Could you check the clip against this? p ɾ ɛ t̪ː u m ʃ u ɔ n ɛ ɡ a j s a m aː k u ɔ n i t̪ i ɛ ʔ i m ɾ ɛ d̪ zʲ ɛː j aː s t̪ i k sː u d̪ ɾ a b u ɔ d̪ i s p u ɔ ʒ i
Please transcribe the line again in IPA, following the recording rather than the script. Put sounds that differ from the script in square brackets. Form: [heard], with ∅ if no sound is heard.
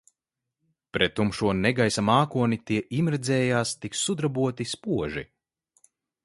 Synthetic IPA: p ɾ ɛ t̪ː u m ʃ u ɔ n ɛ ɡ a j s a m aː k u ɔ n i t̪ i ɛ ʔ i m ɾ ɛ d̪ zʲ ɛː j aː s t̪ i k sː u d̪ ɾ a b u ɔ [t̪] i s p u ɔ ʒ i